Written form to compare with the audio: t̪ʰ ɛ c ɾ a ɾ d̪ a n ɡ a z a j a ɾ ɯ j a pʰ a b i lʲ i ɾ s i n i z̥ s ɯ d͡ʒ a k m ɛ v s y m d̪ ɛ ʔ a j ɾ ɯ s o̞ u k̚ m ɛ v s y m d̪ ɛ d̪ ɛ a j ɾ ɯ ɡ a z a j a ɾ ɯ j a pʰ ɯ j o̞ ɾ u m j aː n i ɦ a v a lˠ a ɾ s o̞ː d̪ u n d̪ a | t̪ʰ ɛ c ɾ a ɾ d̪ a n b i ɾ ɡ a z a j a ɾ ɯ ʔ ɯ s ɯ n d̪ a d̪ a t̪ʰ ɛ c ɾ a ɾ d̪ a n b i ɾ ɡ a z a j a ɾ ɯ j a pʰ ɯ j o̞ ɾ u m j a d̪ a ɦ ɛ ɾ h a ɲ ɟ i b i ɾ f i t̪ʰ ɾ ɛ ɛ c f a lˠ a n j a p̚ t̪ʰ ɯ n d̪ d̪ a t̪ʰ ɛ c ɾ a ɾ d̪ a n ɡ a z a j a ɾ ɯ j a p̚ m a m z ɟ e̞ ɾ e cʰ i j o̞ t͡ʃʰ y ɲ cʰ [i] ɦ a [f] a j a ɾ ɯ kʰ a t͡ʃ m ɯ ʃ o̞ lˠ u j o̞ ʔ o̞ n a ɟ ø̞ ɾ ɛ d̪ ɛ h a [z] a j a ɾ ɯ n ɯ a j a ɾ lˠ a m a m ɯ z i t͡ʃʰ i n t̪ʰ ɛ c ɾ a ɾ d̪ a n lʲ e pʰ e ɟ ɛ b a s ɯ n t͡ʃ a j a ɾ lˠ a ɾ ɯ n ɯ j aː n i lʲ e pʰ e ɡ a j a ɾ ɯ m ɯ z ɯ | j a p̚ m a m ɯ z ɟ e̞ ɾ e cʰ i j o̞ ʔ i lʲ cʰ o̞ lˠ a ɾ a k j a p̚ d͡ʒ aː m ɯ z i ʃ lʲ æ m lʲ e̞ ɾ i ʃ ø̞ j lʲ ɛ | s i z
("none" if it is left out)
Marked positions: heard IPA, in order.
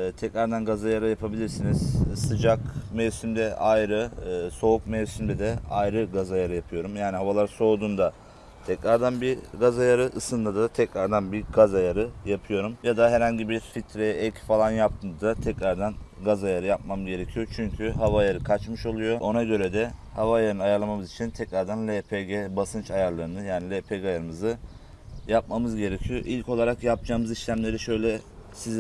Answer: y, v, v

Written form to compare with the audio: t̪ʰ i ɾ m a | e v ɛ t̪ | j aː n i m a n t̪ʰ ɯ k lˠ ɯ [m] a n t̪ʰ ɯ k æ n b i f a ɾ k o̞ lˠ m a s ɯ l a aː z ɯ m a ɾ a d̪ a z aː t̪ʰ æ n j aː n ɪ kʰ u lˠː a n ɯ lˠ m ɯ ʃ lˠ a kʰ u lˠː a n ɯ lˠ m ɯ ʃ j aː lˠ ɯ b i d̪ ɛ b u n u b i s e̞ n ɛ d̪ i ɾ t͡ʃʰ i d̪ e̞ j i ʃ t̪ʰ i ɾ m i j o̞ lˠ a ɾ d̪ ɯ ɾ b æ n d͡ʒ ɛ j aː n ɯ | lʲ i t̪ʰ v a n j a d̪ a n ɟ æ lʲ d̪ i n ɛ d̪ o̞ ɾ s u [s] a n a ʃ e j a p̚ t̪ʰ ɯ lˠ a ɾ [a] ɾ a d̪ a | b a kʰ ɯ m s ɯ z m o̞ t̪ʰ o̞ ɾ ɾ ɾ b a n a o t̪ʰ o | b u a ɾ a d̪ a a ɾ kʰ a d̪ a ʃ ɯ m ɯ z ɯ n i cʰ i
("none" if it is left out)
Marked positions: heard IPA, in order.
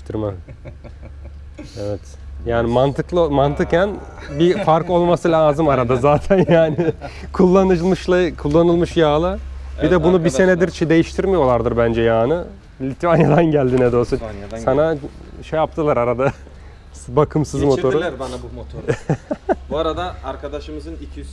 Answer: m, s, a

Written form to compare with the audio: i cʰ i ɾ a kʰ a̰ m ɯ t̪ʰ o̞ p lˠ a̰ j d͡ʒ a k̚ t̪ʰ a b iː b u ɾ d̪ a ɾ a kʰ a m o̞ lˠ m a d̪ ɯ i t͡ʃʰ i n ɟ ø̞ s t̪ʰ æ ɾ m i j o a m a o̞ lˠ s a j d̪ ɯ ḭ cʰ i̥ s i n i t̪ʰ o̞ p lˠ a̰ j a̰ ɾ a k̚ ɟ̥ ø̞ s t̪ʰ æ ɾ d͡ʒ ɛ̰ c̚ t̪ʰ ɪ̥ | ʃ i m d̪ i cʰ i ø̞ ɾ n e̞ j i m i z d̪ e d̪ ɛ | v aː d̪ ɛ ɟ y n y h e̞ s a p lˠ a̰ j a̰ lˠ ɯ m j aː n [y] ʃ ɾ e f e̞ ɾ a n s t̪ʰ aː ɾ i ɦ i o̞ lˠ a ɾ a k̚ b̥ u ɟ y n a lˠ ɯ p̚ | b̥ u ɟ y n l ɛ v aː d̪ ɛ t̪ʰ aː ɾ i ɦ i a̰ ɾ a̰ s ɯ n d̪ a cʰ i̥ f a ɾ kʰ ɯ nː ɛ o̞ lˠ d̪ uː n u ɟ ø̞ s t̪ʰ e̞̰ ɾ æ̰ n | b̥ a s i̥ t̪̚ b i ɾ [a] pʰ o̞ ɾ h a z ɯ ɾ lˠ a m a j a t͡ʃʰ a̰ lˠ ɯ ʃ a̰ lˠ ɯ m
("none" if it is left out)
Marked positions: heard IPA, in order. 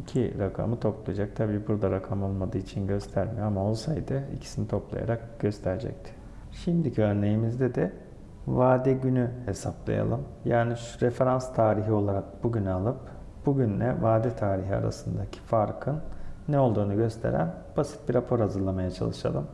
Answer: i, a

